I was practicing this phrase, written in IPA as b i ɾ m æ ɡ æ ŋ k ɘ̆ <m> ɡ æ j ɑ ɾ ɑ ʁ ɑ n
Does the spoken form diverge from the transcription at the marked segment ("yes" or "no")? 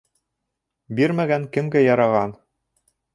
no